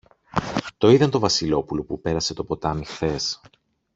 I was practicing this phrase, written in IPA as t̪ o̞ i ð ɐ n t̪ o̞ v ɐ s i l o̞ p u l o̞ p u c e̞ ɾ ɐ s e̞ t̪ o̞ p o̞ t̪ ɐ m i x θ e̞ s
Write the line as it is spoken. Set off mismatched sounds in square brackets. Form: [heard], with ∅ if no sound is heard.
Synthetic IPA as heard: t̪ o̞ i ð ɐ n t̪ o̞ v ɐ s i l o̞ p u l o̞ p u [p] e̞ ɾ ɐ s e̞ t̪ o̞ p o̞ t̪ ɐ m i x θ e̞ s